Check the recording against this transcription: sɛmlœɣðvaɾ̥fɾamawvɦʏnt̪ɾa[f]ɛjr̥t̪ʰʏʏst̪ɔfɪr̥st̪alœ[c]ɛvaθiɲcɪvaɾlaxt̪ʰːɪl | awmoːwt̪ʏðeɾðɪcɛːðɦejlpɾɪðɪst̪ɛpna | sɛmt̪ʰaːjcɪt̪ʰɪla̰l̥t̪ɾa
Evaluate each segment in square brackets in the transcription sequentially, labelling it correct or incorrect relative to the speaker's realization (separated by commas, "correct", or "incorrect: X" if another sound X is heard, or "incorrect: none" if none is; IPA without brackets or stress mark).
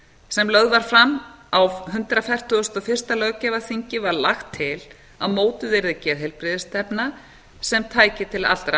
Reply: correct, correct